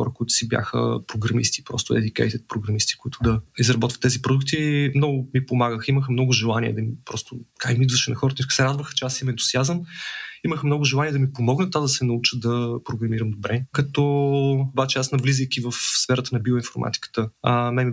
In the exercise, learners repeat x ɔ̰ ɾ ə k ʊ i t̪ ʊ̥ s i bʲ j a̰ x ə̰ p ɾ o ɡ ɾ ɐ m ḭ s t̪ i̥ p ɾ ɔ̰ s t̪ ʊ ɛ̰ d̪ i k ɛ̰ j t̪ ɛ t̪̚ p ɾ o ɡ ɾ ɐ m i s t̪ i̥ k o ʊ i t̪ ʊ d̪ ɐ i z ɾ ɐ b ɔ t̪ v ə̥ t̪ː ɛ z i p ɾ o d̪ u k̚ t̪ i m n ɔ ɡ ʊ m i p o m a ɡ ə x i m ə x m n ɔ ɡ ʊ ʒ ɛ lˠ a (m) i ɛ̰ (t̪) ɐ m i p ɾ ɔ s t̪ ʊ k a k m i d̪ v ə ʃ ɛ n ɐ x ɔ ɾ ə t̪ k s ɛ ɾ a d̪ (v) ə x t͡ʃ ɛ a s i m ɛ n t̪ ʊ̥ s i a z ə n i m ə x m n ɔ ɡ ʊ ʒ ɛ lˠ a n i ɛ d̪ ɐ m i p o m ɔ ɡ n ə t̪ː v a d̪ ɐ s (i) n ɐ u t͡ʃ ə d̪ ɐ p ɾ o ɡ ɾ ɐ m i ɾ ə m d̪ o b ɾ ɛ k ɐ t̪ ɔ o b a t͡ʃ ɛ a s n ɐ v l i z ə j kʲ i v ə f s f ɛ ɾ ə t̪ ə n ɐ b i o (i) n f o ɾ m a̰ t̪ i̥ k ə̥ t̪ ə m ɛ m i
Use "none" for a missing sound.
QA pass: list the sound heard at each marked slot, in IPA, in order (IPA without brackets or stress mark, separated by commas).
n, d̪, v, ɛ, i